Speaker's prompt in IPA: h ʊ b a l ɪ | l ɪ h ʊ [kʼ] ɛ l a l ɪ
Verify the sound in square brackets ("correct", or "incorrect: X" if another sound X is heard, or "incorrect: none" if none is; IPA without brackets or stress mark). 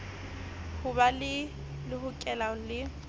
correct